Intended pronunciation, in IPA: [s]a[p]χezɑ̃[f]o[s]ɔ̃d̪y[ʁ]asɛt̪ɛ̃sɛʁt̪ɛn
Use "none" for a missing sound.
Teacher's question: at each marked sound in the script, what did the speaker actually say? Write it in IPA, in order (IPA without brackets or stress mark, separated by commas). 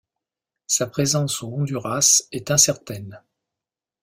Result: s, p, s, none, ʁ